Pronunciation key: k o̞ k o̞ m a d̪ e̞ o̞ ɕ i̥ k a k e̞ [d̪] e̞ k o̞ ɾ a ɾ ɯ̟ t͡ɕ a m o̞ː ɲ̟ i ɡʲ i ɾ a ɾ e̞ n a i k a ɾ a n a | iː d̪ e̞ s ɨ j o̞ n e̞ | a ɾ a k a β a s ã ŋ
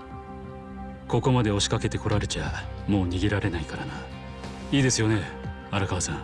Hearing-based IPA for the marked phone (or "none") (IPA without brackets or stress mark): t̪